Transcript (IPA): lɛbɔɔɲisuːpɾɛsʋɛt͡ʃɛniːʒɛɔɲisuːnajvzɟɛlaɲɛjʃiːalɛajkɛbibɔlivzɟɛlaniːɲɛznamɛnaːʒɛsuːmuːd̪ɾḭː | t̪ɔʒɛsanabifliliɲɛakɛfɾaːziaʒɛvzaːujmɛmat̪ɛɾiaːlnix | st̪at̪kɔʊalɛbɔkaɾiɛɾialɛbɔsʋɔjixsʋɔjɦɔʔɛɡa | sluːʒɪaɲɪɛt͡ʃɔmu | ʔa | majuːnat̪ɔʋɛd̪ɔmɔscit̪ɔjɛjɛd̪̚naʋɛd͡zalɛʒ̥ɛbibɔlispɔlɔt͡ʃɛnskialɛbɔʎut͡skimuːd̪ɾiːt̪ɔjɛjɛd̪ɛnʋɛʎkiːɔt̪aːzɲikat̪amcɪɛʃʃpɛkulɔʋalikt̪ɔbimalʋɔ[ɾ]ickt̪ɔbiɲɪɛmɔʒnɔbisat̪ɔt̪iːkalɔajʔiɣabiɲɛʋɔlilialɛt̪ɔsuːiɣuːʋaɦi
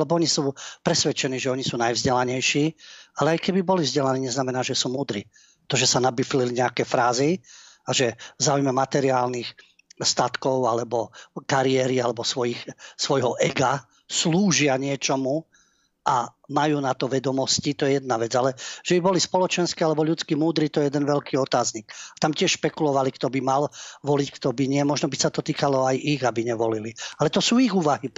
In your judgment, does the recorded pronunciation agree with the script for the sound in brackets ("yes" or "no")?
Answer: no